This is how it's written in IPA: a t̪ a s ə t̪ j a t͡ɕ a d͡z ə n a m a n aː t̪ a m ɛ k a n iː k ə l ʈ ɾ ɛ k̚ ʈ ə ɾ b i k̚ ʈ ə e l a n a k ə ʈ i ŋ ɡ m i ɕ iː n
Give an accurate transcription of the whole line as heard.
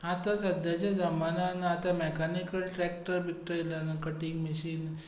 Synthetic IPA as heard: a t̪ a s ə d̪ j a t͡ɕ a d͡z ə m a n a n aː t̪ a m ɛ k a n i k ə l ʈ ɾ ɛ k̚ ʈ ə ɾ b i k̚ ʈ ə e l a n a k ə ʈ i ŋ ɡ m i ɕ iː n